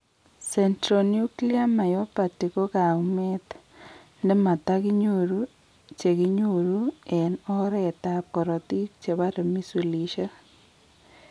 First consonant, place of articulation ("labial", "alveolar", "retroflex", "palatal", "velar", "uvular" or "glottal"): alveolar